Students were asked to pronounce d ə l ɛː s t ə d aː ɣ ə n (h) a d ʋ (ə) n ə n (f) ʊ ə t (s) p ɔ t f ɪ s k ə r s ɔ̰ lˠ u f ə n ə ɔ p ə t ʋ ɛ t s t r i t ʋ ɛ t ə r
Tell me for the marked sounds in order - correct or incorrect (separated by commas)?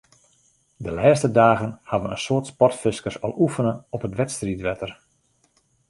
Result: correct, correct, incorrect, correct